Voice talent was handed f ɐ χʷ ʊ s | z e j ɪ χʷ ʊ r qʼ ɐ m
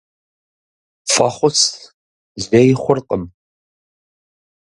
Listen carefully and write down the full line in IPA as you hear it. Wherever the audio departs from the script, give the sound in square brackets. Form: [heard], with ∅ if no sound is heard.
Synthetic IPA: f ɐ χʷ ʊ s | z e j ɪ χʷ ʊ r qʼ [ə] m